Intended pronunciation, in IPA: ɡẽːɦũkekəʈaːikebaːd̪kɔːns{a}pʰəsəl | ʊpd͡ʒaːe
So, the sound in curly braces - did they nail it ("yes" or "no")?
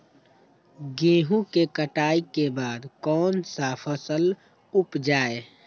yes